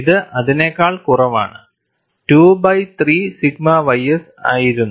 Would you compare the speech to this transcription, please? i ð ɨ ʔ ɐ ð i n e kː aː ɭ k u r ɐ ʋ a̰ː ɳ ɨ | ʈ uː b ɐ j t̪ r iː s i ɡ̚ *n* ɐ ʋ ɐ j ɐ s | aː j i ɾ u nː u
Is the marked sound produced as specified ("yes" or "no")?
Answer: no